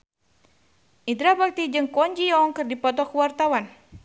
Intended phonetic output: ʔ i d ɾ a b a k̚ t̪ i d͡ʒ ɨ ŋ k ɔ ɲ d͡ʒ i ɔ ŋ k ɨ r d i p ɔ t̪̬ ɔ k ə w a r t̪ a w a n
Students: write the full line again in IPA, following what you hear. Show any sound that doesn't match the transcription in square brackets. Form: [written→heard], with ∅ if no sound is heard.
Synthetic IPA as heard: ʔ i d ɾ a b a k̚ t̪ i d͡ʒ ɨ ŋ k ɔ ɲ d͡ʒ i ɔ ŋ k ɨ r d i p ɔ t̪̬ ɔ k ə w a r t̪ a w a n

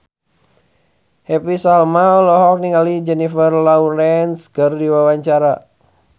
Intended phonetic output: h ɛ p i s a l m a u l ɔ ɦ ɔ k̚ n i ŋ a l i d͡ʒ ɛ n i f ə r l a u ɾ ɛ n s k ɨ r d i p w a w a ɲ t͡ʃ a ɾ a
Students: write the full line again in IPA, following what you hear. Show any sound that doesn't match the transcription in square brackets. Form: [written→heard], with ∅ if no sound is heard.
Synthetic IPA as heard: h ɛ p i s a l m a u l ɔ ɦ ɔ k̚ n i ŋ a l i d͡ʒ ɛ n i f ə r l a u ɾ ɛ n s k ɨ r d i [p→∅] w a w a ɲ t͡ʃ a ɾ a

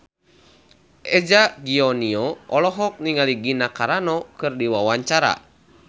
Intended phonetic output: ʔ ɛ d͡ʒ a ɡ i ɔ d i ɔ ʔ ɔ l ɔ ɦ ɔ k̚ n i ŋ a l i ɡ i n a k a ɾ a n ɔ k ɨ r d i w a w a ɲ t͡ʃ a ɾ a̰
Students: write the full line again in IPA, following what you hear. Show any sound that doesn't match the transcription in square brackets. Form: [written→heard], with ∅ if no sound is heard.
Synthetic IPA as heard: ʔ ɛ d͡ʒ a ɡ i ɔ [d→n] i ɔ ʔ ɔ l ɔ ɦ ɔ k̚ n i ŋ a l i ɡ i n a k a ɾ a n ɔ k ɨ r d i w a w a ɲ t͡ʃ a ɾ a̰

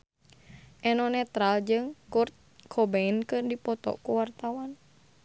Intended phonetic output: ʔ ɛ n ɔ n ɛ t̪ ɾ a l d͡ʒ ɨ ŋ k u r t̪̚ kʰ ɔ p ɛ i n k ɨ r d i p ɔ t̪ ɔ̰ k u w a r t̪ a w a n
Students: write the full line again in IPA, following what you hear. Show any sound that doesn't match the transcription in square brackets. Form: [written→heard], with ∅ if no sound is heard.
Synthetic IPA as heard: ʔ ɛ n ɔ n ɛ t̪ ɾ a l d͡ʒ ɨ ŋ k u r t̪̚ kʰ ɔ [p→b] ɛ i n k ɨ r d i p ɔ t̪ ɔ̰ k u w a r t̪ a w a n

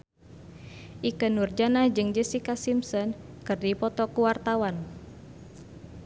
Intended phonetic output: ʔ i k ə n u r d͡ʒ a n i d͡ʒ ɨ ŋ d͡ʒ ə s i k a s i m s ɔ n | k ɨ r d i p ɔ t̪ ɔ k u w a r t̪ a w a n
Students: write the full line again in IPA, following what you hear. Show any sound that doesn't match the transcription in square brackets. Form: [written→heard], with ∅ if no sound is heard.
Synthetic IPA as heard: ʔ i k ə n u r d͡ʒ a n [i→a] d͡ʒ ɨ ŋ d͡ʒ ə s i k a s i m s ɔ n | k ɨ r d i p ɔ t̪ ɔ k u w a r t̪ a w a n

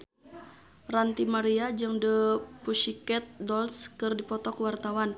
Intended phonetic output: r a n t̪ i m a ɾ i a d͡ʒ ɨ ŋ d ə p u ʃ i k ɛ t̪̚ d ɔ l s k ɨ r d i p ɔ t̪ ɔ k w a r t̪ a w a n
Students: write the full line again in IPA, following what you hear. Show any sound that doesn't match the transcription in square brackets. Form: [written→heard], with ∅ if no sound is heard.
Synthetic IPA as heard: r a n t̪ i m a ɾ i a d͡ʒ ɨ ŋ d ə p u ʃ i k ɛ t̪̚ d ɔ l s k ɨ r d i p ɔ t̪ ɔ k w a r t̪ a w a n

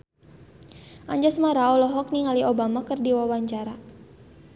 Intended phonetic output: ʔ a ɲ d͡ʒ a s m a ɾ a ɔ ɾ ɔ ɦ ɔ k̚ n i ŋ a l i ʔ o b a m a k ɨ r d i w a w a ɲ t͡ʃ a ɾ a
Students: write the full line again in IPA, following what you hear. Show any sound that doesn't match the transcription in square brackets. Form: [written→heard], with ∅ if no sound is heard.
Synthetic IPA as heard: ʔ a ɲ d͡ʒ a s m a ɾ a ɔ [ɾ→l] ɔ ɦ ɔ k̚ n i ŋ a l i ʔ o b a m a k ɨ r d i w a w a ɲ t͡ʃ a ɾ a

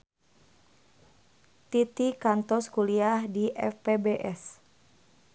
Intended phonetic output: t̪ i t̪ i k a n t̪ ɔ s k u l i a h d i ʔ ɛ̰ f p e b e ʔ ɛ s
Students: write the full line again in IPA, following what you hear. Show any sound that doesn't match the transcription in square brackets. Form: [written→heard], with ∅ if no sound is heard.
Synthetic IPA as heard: t̪ i t̪ i k a n t̪ ɔ s k u l i a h d i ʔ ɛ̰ f p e b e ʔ ɛ s

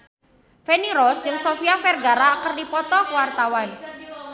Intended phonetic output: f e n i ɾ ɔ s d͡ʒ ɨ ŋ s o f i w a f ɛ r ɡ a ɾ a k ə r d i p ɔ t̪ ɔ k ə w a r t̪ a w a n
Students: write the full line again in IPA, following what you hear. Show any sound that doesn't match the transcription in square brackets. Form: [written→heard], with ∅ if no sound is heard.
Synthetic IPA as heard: f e n i ɾ ɔ s d͡ʒ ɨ ŋ s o f i [w→∅] a f ɛ r ɡ a ɾ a k ə r d i p ɔ t̪ ɔ k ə w a r t̪ a w a n

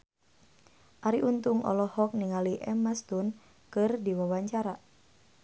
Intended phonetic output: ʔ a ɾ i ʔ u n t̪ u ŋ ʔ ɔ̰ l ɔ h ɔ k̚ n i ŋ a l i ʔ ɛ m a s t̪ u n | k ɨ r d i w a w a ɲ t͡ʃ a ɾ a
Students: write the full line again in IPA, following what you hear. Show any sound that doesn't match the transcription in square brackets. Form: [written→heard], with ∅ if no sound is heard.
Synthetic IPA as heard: ʔ a ɾ i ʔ u n t̪ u ŋ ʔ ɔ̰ l ɔ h ɔ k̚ n i ŋ a l i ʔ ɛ m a s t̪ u n | k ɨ r d i w a w a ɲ t͡ʃ a ɾ a

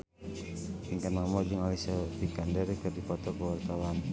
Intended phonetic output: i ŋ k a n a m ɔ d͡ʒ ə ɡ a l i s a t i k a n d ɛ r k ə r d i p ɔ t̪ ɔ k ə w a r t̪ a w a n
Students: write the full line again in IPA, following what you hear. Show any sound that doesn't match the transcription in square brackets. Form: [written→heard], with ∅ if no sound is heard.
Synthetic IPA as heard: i ŋ k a n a m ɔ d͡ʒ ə [ɡ→ŋ] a l i s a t i k a n d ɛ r k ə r d i p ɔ t̪ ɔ k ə w a r t̪ a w a n

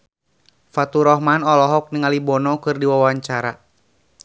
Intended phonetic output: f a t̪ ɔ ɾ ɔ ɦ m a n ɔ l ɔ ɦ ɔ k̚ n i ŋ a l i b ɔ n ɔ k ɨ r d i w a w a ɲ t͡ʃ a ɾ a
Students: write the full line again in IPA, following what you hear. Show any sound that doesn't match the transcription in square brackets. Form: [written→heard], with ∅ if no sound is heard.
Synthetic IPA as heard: f a t̪ [ɔ→u] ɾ ɔ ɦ m a n ɔ l ɔ ɦ ɔ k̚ n i ŋ a l i b ɔ n ɔ k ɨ r d i w a w a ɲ t͡ʃ a ɾ a

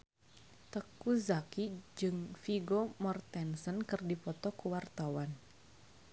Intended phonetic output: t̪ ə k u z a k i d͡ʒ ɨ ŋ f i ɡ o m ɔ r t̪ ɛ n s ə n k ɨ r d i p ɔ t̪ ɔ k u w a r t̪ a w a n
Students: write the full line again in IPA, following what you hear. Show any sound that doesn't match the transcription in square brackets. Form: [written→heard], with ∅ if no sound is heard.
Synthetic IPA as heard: t̪ ə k u z a k i d͡ʒ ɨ ŋ f i ɡ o m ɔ r t̪ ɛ n s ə n k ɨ r d i p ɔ t̪ ɔ k u w a r t̪ a w a n

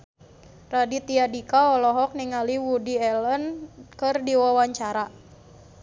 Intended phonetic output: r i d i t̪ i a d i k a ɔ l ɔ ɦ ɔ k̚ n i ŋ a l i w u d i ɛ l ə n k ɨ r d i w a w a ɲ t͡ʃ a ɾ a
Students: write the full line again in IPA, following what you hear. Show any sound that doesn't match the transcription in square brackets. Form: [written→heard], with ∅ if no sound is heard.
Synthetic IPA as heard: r [i→a] d i t̪ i a d i k a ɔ l ɔ ɦ ɔ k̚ n i ŋ a l i w u d i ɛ l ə n k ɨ r d i w a w a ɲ t͡ʃ a ɾ a

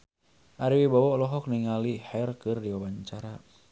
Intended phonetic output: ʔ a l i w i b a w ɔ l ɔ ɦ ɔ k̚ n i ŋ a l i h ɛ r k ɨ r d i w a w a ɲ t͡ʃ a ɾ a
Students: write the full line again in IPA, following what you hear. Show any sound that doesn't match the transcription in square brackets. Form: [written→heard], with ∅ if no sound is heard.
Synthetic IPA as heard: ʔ a [l→ɾ] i w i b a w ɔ l ɔ ɦ ɔ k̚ n i ŋ a l i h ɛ r k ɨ r d i w a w a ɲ t͡ʃ a ɾ a

